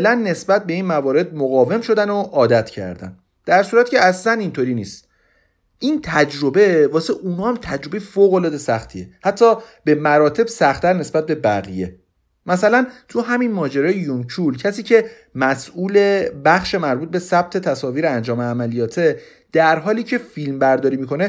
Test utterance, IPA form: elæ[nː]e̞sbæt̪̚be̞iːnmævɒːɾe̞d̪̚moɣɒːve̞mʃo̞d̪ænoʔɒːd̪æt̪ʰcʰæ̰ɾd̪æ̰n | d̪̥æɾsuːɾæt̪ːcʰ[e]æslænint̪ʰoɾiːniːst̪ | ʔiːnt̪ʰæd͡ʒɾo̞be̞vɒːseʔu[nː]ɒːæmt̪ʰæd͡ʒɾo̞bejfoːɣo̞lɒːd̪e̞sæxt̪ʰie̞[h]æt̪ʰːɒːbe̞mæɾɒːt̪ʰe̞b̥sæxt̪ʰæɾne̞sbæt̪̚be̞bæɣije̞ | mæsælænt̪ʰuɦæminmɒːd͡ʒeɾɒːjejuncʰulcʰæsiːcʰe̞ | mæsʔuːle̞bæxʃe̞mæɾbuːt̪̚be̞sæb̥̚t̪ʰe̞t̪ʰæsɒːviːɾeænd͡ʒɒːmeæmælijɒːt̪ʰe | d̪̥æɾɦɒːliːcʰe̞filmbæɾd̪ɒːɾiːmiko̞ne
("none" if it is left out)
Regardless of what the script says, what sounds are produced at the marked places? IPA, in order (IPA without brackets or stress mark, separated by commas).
nː, e, n, h